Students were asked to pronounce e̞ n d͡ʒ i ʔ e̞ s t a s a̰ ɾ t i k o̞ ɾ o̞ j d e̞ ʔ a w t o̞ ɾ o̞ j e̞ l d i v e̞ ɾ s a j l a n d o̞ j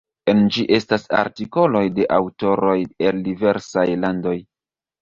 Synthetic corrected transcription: e̞ n d͡ʒ i ʔ e̞ s t a s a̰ ɾ t i k o̞ l o̞ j d e̞ ʔ a w t o̞ ɾ o̞ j e̞ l d i v e̞ ɾ s a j l a n d o̞ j